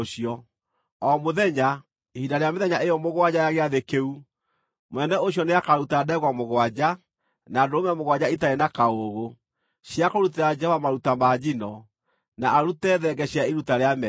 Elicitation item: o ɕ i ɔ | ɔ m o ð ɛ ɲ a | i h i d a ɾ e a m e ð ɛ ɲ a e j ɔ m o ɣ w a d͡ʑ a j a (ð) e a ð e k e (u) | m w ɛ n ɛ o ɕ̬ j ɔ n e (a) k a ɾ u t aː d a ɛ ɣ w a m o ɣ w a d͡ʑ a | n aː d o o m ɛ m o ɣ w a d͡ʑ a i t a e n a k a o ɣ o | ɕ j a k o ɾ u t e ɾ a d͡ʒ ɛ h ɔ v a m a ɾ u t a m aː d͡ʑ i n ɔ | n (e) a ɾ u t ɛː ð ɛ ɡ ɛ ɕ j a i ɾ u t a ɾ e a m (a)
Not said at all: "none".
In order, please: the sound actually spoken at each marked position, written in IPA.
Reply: ɣ, u, a, a, ɛ

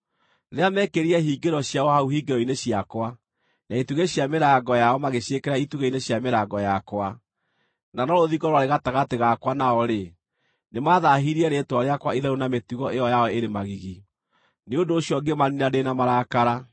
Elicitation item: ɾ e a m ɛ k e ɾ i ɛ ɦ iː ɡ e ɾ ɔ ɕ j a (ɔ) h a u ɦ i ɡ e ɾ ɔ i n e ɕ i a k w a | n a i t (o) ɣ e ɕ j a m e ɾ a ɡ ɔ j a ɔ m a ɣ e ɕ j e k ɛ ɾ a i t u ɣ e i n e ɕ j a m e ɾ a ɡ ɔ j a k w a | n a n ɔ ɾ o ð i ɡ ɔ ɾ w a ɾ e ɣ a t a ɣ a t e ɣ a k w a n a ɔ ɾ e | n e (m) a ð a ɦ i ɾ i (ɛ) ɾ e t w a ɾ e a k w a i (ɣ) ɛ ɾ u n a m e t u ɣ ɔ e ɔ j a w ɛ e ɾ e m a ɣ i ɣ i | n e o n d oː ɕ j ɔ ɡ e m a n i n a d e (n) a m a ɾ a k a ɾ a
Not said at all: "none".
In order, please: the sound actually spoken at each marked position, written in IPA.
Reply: ɔ, u, m, ɛ, ð, n

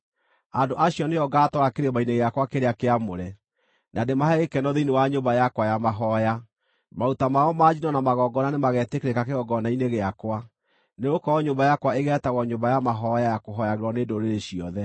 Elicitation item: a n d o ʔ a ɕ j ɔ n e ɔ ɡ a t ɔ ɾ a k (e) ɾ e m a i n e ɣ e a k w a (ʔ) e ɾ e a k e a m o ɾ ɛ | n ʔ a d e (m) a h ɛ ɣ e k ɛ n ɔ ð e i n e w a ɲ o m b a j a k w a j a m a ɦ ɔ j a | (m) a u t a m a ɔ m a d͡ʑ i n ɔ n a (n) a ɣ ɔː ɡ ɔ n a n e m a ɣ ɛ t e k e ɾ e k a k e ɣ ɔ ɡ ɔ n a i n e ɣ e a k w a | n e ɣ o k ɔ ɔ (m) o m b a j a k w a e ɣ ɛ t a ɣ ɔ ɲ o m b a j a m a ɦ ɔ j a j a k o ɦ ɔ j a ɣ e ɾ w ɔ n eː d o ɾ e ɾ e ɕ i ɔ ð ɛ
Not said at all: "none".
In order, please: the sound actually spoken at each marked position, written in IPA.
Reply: e, k, m, m, m, ɲ

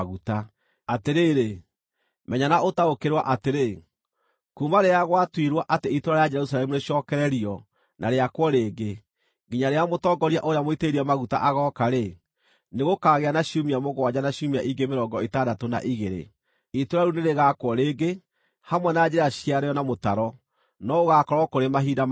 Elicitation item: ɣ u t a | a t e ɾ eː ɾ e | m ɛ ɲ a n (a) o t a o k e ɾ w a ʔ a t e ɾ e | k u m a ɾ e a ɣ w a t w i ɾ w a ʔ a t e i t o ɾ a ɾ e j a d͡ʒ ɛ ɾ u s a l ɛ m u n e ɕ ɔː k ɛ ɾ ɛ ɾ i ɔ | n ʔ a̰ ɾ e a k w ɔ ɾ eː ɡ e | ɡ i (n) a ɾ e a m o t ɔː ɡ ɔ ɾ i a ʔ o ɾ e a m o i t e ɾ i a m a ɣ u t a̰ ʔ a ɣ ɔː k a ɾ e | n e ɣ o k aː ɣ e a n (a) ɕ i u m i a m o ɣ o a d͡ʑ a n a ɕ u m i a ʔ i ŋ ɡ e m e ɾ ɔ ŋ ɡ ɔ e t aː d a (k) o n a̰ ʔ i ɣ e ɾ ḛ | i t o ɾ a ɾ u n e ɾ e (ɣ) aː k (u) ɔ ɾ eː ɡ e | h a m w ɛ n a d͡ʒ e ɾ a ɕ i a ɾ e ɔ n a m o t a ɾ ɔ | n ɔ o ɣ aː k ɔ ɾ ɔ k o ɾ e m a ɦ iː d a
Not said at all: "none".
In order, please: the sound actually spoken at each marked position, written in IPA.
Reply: a, ɲ, a, t, ɣ, w

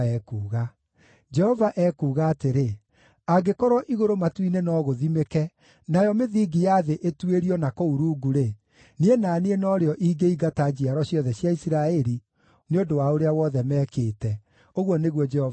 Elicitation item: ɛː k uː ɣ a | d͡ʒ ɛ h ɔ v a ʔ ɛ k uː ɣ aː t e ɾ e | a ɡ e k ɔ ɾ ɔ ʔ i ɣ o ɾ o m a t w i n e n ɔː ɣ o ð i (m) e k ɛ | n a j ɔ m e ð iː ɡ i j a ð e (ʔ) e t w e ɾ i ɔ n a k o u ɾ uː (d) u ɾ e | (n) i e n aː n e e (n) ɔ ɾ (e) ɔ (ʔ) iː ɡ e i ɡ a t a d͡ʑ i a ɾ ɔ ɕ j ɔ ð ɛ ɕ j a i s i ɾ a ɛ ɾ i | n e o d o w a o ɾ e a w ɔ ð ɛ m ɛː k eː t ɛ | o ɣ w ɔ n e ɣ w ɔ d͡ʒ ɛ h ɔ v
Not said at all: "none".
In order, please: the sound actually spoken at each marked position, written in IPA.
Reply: m, ʔ, ɡ, n, n, e, ʔ

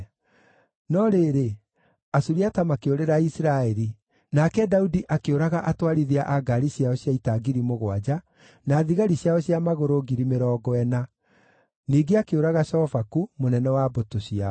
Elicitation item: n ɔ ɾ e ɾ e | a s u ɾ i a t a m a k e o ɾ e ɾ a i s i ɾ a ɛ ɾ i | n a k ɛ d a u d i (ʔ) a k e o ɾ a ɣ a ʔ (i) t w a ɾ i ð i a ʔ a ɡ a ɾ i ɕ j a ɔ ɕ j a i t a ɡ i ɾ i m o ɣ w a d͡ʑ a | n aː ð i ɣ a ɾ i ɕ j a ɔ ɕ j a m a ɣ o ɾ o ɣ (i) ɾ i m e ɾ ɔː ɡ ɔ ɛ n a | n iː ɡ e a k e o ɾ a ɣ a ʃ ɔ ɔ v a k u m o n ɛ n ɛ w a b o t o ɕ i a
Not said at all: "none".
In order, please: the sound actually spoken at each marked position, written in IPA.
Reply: ʔ, a, i

